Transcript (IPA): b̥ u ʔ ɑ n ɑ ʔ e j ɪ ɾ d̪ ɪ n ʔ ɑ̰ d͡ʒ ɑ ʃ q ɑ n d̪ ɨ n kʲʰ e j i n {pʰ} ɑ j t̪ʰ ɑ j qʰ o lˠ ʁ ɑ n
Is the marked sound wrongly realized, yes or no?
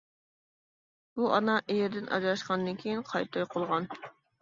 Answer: yes